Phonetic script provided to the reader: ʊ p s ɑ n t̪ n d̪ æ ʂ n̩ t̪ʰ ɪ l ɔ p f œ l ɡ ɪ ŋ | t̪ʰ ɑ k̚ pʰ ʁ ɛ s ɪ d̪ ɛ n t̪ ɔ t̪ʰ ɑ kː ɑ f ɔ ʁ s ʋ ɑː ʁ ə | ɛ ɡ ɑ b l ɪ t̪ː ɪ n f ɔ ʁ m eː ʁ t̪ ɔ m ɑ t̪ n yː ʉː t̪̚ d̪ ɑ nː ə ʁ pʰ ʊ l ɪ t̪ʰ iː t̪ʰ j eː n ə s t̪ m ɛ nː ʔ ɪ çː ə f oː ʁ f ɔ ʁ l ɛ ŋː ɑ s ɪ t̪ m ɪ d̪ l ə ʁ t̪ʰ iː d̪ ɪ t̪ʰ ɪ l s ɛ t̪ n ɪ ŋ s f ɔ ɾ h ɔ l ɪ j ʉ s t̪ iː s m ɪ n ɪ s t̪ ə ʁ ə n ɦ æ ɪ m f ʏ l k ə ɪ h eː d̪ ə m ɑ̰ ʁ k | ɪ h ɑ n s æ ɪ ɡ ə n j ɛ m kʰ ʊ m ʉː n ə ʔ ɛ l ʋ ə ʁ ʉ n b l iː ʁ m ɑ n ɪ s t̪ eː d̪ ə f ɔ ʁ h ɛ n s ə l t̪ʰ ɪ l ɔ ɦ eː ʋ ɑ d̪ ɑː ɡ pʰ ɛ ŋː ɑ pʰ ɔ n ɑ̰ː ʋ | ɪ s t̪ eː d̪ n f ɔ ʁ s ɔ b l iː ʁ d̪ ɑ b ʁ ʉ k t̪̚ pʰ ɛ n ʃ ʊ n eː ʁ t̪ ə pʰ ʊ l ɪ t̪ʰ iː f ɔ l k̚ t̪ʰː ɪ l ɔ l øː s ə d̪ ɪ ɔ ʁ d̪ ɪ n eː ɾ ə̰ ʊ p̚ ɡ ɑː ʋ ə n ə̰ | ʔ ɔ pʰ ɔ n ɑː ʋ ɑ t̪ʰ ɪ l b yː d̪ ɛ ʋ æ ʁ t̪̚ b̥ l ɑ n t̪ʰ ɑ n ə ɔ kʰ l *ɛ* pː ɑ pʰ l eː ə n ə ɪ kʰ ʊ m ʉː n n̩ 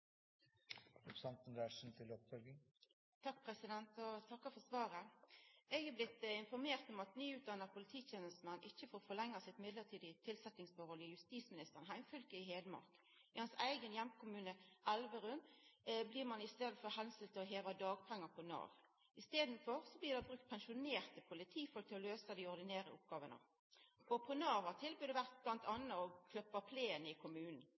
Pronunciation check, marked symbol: incorrect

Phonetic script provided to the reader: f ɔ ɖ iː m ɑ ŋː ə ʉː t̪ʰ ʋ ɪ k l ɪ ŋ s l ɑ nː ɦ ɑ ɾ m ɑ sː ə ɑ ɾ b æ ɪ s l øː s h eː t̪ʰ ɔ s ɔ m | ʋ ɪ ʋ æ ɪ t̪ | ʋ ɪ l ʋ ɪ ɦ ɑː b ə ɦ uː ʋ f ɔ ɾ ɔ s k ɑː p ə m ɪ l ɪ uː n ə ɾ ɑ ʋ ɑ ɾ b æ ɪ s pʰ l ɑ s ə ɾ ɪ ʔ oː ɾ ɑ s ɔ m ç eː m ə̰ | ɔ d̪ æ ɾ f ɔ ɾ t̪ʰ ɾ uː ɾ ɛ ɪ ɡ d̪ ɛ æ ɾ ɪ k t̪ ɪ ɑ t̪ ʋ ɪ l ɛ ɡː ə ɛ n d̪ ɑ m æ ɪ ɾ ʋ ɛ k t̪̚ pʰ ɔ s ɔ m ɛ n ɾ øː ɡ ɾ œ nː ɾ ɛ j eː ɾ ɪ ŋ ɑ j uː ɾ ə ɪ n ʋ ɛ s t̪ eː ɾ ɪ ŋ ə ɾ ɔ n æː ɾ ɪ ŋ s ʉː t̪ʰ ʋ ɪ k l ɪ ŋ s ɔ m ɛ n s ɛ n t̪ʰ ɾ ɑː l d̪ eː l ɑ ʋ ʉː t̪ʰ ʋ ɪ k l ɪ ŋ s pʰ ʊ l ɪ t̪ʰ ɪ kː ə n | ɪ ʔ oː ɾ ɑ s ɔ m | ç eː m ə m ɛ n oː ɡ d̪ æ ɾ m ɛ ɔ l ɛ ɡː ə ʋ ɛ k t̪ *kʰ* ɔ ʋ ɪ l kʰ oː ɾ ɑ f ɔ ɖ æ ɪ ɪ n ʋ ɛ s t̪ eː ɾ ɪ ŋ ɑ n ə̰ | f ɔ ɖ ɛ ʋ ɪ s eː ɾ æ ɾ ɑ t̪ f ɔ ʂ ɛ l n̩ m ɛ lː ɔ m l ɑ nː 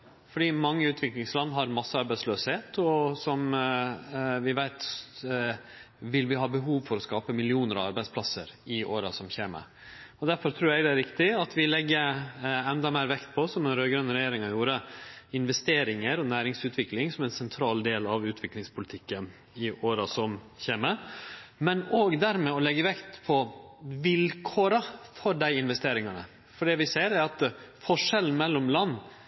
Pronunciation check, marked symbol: incorrect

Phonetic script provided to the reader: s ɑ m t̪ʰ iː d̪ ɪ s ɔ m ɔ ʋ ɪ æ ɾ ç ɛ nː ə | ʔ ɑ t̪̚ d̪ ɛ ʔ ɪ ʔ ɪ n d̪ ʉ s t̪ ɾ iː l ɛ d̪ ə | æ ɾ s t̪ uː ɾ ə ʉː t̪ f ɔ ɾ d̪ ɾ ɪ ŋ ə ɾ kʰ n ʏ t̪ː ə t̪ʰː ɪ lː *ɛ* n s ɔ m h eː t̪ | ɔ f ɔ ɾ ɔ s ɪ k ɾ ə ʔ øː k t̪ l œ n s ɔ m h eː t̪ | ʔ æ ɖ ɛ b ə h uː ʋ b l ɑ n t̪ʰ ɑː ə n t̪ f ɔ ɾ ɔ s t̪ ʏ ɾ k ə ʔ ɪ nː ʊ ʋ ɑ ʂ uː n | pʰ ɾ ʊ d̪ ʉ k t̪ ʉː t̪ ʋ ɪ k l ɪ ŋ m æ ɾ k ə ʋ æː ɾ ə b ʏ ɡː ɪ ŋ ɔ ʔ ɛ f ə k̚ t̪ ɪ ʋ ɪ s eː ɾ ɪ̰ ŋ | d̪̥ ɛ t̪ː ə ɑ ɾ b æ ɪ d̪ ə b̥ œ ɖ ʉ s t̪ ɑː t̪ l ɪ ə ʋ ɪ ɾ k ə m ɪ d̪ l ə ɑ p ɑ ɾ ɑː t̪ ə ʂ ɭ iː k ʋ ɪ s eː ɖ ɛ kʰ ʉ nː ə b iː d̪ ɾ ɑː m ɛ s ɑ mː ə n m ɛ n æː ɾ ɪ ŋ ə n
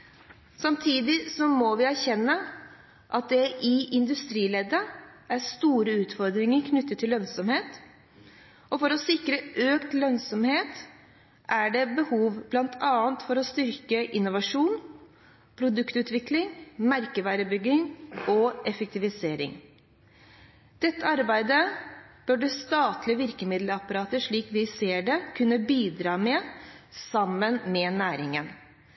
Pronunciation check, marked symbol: incorrect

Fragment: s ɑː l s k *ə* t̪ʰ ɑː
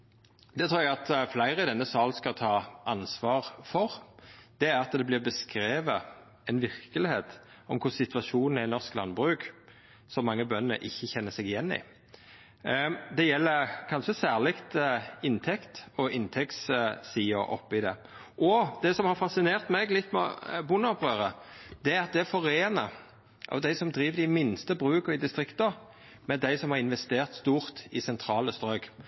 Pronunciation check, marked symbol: incorrect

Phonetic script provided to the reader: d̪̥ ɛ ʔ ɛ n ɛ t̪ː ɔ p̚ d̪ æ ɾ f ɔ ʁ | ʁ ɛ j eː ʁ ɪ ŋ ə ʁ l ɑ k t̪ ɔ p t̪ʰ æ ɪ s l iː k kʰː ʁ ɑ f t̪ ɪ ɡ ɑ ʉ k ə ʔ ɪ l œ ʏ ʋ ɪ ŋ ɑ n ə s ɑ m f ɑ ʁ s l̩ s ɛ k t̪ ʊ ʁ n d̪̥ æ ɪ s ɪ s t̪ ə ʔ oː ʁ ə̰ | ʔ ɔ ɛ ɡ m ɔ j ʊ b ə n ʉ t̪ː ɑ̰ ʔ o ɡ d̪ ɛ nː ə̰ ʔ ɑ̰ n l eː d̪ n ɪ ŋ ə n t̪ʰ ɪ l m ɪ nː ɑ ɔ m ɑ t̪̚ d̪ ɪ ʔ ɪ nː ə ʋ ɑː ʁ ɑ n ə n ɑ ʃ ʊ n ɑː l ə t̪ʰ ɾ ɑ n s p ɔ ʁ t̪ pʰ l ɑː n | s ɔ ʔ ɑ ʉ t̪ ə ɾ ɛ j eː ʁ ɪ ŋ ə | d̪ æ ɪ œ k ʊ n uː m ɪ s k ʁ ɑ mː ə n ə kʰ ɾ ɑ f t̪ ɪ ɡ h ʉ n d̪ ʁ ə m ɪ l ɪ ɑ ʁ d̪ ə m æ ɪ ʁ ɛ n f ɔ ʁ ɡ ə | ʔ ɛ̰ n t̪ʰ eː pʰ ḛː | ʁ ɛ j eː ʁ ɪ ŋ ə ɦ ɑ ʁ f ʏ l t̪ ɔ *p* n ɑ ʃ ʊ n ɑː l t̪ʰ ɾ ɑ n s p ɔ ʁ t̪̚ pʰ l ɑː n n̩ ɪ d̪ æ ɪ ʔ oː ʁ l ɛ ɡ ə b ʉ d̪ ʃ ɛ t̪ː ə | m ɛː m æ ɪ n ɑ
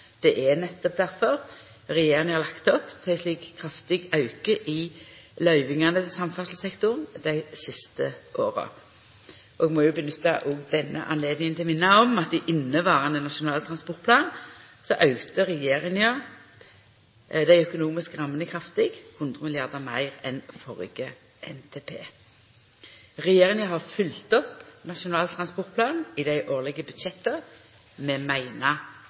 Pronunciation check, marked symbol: correct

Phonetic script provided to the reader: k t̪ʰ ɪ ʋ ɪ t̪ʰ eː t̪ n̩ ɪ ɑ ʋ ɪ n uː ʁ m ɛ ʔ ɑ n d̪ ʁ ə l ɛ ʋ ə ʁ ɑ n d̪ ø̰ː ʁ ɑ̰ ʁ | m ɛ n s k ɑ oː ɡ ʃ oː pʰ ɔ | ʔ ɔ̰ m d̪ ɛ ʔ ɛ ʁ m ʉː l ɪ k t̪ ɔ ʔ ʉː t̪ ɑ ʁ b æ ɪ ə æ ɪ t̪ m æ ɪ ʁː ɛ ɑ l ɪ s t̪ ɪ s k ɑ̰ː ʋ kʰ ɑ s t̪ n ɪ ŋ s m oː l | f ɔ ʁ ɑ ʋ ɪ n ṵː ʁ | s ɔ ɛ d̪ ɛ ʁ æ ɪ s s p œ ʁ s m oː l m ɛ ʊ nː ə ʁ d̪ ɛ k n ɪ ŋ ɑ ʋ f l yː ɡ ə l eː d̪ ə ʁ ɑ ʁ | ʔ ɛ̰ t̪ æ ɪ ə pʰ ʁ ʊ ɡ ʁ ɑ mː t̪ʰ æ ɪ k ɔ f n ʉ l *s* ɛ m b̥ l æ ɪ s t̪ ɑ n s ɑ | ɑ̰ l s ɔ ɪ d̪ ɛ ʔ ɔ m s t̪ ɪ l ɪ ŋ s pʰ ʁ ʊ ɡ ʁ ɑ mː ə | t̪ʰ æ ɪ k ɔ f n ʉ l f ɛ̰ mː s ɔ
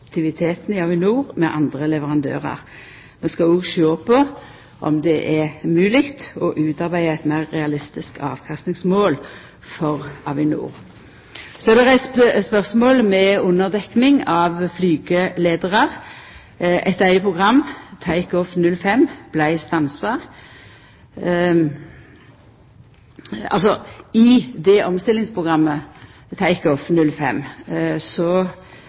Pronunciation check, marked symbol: incorrect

